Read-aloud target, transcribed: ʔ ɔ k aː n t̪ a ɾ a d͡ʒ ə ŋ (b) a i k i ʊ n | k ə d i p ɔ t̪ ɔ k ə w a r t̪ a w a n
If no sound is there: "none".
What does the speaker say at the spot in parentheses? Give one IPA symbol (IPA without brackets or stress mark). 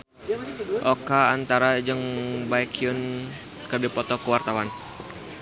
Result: b